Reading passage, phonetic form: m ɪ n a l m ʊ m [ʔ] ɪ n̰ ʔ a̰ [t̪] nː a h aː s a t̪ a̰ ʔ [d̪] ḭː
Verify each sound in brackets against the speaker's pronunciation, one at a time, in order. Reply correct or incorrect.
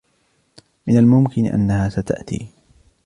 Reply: incorrect, incorrect, incorrect

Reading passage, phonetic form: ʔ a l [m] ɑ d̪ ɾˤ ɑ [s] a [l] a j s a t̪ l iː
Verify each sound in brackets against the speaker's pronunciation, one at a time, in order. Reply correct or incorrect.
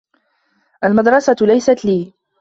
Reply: correct, correct, correct

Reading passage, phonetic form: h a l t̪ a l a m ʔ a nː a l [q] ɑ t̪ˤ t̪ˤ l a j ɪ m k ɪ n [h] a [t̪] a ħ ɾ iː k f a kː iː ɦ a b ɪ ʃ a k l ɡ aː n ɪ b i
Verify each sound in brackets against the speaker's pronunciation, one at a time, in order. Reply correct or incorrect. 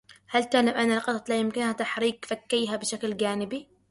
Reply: correct, correct, correct

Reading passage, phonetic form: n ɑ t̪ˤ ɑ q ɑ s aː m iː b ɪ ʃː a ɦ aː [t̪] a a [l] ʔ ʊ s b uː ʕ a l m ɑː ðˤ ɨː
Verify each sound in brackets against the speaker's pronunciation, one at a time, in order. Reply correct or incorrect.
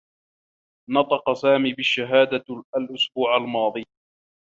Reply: incorrect, correct

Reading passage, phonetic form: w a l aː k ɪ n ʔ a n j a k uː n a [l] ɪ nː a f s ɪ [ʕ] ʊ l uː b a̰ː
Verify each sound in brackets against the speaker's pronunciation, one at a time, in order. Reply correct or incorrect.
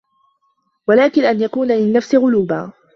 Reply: correct, incorrect

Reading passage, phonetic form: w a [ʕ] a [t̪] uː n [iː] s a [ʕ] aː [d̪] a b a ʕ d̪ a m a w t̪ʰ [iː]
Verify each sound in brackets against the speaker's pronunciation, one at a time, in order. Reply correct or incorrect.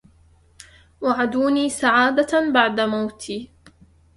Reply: correct, incorrect, correct, correct, correct, correct

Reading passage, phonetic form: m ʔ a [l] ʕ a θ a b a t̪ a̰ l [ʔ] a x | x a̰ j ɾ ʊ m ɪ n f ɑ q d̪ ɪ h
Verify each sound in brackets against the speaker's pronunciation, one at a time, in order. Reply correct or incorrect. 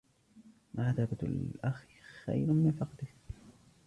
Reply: incorrect, correct

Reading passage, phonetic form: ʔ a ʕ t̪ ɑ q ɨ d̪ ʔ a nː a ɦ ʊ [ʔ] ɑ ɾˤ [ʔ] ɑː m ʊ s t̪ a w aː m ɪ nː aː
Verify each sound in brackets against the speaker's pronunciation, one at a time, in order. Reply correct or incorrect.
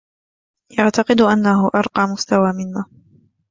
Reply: correct, incorrect

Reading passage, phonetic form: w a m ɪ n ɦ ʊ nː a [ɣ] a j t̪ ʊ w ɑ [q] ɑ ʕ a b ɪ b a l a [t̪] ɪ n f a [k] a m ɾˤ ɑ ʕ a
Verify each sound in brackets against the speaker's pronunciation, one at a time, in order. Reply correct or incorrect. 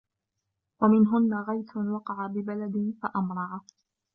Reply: correct, correct, incorrect, incorrect

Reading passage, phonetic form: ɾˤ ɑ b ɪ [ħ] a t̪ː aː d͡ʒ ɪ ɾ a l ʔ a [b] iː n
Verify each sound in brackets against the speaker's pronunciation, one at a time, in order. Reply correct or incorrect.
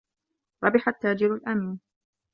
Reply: correct, incorrect

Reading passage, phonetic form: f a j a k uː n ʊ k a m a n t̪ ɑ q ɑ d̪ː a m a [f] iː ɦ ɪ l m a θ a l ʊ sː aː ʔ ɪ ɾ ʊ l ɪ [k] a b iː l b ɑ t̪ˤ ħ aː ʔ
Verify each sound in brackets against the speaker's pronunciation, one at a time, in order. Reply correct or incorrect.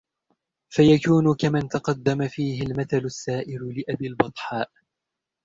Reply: correct, incorrect

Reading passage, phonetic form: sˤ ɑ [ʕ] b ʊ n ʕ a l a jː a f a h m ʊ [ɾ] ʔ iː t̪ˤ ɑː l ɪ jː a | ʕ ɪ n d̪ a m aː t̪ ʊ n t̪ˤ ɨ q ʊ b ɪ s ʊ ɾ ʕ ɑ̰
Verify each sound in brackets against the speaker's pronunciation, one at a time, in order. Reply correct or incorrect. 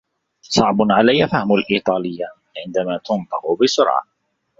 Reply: correct, incorrect

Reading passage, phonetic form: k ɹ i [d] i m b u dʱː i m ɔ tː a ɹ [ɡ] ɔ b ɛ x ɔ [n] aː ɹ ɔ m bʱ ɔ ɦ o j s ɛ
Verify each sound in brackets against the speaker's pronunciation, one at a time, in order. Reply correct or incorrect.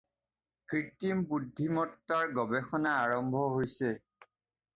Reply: incorrect, correct, correct

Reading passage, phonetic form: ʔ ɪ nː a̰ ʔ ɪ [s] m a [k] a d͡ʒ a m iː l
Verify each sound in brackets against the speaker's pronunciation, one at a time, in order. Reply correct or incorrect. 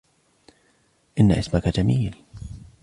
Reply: correct, correct

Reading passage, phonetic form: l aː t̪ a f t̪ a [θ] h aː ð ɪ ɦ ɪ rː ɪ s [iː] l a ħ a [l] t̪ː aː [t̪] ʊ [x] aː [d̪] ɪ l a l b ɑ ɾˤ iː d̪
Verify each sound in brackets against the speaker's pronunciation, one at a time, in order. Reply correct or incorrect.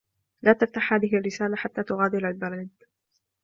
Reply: incorrect, incorrect, incorrect, correct, incorrect, correct

